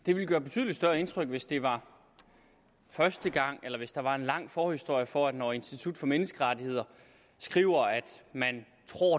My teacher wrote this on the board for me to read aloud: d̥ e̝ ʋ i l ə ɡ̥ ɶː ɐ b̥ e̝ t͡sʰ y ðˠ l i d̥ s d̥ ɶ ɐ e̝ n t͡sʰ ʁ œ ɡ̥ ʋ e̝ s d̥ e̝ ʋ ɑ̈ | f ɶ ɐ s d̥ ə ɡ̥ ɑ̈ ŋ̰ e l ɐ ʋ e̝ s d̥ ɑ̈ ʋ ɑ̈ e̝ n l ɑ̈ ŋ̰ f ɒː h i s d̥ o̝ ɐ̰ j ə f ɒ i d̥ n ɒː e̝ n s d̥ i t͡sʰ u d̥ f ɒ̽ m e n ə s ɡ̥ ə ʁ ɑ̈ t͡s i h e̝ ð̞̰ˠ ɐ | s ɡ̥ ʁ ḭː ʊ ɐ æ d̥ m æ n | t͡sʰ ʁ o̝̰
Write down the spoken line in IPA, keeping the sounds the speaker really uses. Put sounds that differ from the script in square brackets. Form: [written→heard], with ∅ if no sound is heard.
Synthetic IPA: d̥ e̝ ʋ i l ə ɡ̥ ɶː ɐ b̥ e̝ t͡sʰ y ðˠ l i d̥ s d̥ ɶ ɐ e̝ n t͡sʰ ʁ œ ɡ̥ ʋ e̝ s d̥ e̝ ʋ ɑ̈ | f ɶ ɐ s d̥ ə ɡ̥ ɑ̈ ŋ̰ e l ɐ ʋ e̝ s d̥ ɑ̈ ʋ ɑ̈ e̝ n l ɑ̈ ŋ̰ f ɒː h i s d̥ o̝ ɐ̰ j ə f ɒ [i→æ] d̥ n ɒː e̝ n s d̥ i t͡sʰ u d̥ f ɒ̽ m e n ə s ɡ̥ ə ʁ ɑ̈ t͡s i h e̝ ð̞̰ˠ ɐ | s ɡ̥ ʁ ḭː ʊ ɐ æ d̥ m æ n | t͡sʰ ʁ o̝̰